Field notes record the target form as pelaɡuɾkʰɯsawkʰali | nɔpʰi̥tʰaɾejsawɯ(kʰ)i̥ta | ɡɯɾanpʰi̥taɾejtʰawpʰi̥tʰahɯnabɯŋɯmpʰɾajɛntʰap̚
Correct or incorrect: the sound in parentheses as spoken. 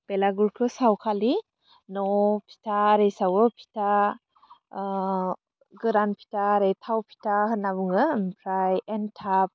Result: incorrect: pʰ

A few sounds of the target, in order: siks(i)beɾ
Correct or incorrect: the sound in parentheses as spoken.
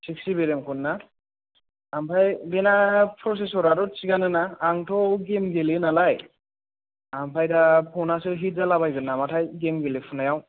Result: correct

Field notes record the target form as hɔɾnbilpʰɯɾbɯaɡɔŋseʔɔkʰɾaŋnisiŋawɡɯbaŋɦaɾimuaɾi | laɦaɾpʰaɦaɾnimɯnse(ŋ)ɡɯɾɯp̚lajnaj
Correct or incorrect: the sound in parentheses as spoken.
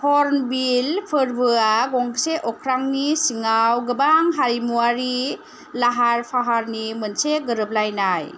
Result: incorrect: none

